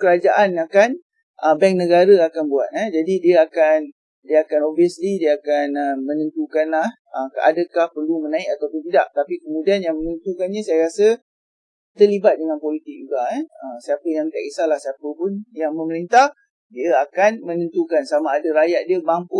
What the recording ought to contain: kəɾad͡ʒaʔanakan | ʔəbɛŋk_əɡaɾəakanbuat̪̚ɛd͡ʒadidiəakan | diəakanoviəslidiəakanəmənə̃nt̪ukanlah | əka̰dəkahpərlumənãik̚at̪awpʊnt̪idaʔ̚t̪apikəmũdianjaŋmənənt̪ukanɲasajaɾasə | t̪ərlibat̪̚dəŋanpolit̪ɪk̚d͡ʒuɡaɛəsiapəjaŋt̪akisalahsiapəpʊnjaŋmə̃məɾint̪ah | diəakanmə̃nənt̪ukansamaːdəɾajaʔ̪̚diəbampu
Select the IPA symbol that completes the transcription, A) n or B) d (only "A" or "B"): A